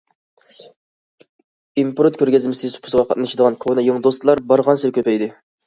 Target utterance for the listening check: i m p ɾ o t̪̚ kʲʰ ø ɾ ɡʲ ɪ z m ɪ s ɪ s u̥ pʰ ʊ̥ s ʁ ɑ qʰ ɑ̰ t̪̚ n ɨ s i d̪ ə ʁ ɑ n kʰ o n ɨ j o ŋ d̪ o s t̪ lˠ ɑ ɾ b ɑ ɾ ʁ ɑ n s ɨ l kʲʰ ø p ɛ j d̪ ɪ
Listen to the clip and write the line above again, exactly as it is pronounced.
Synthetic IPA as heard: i m p ɾ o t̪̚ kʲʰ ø ɾ ɡʲ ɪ z m ɪ s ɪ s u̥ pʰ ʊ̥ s ʁ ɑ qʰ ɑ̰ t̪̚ n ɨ ʃ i d̪ ə ʁ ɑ n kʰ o n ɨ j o ŋ d̪ o s t̪ lˠ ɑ ɾ b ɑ ɾ ʁ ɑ n s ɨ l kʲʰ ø p ɛ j d̪ ɪ